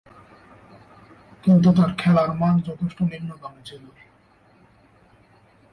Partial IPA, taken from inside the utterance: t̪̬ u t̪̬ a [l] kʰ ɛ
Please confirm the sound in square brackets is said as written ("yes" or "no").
no